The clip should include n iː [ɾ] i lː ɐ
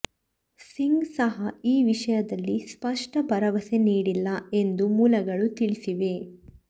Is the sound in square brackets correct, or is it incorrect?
incorrect: ɽ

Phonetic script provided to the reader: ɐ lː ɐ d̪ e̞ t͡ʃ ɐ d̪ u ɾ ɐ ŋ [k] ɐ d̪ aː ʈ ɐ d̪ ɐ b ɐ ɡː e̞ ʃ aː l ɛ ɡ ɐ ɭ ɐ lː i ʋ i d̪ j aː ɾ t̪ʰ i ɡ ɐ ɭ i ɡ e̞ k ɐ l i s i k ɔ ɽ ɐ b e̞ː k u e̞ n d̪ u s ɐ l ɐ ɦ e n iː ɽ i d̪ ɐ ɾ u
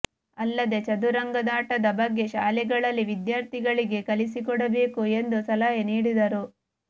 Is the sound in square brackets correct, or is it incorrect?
incorrect: ɡ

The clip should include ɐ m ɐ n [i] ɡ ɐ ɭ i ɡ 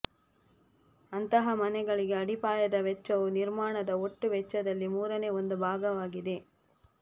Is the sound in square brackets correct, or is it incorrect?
incorrect: ɛ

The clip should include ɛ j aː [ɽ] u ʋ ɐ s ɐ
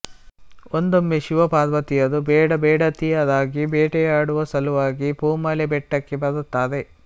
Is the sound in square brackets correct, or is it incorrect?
correct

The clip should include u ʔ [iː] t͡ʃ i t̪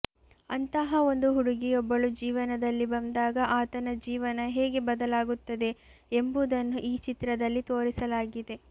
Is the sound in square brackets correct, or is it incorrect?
correct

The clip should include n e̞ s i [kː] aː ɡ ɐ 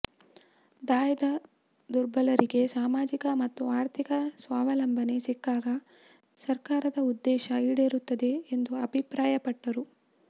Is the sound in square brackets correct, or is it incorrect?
correct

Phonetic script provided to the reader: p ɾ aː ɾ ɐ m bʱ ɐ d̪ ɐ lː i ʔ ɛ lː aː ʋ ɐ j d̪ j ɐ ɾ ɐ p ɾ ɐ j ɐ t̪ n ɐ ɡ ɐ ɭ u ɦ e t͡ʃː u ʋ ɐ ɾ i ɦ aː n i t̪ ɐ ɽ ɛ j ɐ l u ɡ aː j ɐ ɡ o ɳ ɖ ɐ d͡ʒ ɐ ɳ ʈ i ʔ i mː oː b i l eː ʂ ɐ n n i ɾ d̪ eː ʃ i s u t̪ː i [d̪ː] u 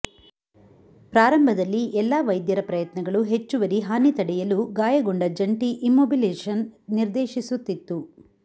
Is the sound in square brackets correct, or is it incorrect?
incorrect: t̪ː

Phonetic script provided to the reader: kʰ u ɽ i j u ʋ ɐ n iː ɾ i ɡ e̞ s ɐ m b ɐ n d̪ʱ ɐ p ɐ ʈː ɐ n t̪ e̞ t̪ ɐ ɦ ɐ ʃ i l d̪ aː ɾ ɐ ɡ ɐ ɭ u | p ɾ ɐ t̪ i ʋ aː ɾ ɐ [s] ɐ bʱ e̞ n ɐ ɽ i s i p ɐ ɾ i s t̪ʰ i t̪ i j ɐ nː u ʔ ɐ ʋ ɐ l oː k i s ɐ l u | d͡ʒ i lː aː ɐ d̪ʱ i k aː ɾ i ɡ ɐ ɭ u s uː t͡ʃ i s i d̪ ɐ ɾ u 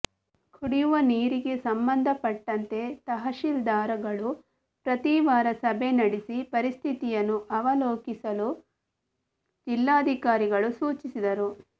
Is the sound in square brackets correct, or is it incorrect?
correct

